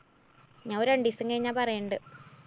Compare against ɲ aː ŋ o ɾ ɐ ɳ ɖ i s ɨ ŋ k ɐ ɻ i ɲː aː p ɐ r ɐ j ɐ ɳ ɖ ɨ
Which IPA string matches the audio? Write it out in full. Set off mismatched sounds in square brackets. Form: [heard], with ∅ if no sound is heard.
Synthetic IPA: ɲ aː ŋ o ɾ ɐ ɳ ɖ i s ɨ ŋ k ɐ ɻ i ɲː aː p ɐ r ɐ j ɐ ɳ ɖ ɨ